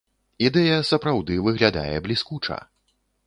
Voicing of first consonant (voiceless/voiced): voiced